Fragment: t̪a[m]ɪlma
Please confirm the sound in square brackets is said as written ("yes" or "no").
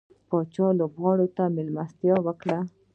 yes